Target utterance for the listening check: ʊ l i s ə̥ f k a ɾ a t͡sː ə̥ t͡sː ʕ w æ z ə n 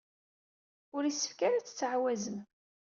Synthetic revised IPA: ʊ ɾ i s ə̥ f k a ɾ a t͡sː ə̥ t͡sː ʕ w æ z ə m